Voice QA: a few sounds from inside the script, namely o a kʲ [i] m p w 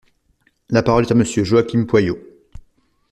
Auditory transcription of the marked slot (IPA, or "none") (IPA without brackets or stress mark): i